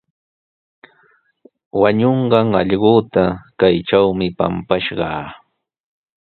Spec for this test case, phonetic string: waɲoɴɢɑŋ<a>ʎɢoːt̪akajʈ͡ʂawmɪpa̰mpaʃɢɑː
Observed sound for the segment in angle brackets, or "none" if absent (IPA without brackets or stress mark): ɑ